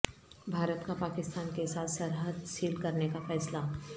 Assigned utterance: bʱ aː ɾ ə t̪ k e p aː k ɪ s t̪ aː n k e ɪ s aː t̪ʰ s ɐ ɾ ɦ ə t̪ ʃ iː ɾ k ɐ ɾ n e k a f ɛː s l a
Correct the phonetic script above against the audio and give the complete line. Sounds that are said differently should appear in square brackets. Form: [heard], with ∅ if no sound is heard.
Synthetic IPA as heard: bʱ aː ɾ ə t̪ k [a] p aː k ɪ s t̪ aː n k e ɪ s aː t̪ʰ s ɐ ɾ ɦ ə [d̪] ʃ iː [l] k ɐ ɾ n e k a f ɛː s l a